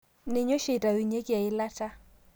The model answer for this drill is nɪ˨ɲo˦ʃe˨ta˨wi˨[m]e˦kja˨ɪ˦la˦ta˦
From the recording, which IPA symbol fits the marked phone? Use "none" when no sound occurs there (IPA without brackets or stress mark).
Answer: ɲ